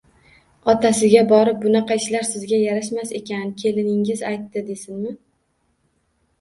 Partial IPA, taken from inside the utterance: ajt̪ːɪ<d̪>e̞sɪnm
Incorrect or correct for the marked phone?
correct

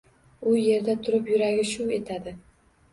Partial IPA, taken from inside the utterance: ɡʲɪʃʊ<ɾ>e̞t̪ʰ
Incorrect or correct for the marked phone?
incorrect: none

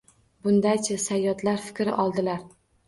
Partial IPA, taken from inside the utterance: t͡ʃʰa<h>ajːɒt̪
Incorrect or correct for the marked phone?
incorrect: s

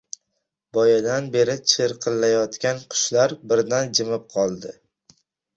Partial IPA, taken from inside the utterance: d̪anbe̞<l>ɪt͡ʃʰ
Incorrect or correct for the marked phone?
incorrect: ɾ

